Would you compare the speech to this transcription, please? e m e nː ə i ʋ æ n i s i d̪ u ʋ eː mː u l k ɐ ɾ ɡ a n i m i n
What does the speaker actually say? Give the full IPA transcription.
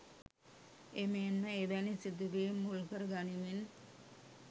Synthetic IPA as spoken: e m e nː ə e ʋ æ n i s i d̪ u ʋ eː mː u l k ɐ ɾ ɡ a n i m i n